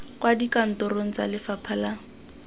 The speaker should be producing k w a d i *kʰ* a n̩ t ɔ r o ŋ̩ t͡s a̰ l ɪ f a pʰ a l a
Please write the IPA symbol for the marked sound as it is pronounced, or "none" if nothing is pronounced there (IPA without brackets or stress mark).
k